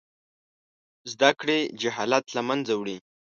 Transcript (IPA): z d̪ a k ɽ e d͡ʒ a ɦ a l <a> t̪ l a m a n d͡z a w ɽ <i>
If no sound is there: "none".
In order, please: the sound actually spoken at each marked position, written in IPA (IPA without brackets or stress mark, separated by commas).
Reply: a, i